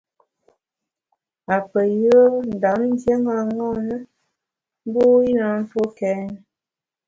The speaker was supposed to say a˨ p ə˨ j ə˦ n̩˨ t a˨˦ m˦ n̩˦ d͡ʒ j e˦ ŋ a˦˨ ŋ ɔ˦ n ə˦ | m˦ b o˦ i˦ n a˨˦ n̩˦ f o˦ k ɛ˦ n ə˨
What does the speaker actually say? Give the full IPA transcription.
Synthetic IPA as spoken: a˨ p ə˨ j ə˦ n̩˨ d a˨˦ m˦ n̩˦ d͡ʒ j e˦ ŋ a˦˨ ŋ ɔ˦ n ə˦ | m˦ b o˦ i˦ n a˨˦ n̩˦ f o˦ k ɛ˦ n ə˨